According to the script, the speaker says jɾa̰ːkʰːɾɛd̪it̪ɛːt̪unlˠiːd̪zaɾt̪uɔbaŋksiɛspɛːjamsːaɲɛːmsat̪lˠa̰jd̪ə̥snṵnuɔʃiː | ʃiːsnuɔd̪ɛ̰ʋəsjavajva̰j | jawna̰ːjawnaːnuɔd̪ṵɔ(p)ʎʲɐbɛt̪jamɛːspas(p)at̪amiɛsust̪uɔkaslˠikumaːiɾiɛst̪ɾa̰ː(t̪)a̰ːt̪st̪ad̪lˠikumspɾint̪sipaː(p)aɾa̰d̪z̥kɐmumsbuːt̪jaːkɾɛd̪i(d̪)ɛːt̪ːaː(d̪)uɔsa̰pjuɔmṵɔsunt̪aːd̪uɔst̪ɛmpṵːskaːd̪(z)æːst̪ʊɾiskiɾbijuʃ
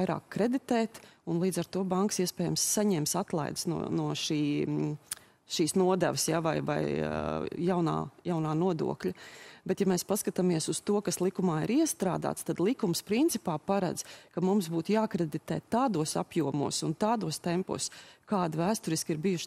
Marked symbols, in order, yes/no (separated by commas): no, no, no, yes, no, yes, no